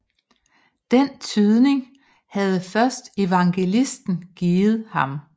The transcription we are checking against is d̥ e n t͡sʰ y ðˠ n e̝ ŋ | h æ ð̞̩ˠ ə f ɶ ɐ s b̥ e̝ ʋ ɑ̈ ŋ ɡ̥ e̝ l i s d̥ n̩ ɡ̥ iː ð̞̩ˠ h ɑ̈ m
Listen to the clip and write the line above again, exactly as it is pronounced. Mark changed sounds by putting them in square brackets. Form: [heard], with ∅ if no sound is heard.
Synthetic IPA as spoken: d̥ e n t͡sʰ y ðˠ n e̝ ŋ | h æ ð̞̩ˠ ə f ɶ ɐ s [d̥] e̝ ʋ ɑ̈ ŋ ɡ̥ e̝ l i s d̥ n̩ ɡ̥ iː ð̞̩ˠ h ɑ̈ m